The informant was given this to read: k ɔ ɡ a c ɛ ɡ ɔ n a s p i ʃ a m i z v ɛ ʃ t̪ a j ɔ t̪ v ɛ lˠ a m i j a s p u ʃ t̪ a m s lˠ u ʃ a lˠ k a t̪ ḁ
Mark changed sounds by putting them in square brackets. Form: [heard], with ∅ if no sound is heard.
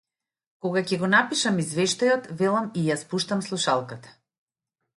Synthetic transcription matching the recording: k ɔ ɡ a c ɛ ɡ ɔ n a [∅] p i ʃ a m i z v ɛ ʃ t̪ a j ɔ t̪ v ɛ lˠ a m i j a s p u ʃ t̪ a m s lˠ u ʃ a lˠ k a t̪ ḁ

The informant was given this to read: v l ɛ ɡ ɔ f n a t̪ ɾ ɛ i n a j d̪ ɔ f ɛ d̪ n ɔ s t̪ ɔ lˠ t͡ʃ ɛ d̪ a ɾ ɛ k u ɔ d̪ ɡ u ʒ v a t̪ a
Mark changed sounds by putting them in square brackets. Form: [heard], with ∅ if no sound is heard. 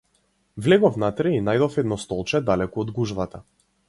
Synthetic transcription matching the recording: v l ɛ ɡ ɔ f n a t̪ ɾ ɛ i n a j d̪ ɔ f ɛ d̪ n ɔ s t̪ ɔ lˠ t͡ʃ ɛ d̪ a [l] ɛ k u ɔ d̪ ɡ u ʒ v a t̪ a

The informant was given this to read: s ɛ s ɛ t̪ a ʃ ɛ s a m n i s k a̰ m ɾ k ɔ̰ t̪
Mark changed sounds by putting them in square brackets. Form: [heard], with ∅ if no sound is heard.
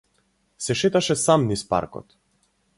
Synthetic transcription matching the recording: s ɛ [ʃ] ɛ t̪ a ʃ ɛ s a m n i s [p] a̰ [∅] ɾ k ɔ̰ t̪

